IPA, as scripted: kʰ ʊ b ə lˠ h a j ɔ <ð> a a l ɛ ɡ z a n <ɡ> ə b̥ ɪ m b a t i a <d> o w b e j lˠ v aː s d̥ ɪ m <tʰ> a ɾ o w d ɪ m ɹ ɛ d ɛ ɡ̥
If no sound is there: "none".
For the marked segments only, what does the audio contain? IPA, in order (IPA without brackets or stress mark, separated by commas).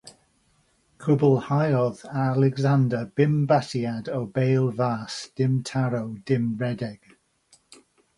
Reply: ð, d, d, tʰ